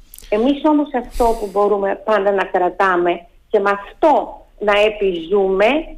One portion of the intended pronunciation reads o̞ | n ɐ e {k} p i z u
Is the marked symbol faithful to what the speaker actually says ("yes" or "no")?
no